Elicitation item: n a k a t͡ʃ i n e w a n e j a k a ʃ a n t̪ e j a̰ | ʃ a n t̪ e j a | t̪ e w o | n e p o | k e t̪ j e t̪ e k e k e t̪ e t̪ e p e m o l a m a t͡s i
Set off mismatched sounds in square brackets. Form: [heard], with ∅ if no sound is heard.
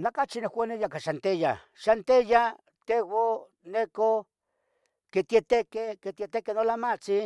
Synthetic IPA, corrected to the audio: n a k a t͡ʃ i n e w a n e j a k a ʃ a n t̪ e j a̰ | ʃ a n t̪ e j a | t̪ e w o | n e [k] o | k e t̪ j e t̪ e k e k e t̪ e t̪ e [k] e [n] o l a m a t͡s i